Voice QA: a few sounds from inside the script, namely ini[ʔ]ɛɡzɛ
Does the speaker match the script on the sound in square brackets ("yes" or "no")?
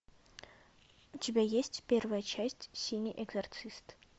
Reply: yes